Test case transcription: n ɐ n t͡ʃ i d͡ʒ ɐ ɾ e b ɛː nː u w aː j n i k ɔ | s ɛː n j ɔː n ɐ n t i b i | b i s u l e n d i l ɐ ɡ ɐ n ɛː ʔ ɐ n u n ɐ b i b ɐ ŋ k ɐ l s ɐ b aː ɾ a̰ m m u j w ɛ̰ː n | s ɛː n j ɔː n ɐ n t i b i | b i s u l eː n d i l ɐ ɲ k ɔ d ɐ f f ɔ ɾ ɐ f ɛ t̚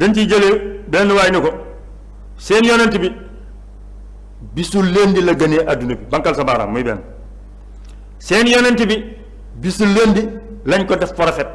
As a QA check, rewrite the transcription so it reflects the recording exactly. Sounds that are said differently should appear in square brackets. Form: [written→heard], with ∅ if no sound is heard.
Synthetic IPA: [n→d] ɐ n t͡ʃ i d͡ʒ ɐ [ɾ→l] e b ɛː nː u w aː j n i k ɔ | s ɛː n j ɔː n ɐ n t i b i | b i s u l e n d i l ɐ ɡ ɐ n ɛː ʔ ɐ [n→d] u n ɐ b i b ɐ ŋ k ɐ l s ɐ b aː ɾ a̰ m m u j [w→b] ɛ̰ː n | s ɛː n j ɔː n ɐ n t i b i | b i s u l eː n d i l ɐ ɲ k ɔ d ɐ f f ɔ ɾ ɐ f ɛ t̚